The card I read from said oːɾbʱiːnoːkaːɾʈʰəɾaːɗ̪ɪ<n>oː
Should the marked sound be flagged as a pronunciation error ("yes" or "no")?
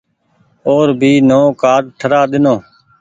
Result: no